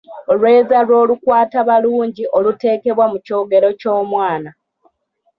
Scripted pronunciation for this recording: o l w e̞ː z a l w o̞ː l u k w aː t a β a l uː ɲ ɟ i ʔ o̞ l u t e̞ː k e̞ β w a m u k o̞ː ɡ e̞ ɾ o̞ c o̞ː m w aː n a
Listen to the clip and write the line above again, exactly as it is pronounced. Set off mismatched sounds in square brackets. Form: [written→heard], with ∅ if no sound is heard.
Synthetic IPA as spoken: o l w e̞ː z a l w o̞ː l u k w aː t a β a l uː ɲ ɟ i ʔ o̞ l u t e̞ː k e̞ β w a m u [k→c] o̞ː ɡ e̞ ɾ o̞ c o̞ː m w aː n a